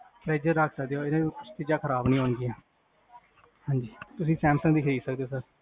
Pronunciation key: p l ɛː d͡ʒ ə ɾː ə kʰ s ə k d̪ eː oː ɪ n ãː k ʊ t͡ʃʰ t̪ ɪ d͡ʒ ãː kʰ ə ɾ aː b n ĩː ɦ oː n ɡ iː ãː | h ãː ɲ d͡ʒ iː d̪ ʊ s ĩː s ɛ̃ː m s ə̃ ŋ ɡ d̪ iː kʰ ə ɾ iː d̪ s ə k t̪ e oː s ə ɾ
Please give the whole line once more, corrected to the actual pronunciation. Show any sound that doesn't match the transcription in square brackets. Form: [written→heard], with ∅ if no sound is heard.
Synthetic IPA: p [l→ɾ] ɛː d͡ʒ ə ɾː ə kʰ s ə k d̪ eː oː ɪ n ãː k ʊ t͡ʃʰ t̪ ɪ d͡ʒ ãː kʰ ə ɾ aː b n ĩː ɦ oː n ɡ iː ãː | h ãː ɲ d͡ʒ iː [d̪→t̪] ʊ s ĩː s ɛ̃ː m s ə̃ ŋ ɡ d̪ iː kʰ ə ɾ iː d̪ s ə k [t̪→d̪] e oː s ə ɾ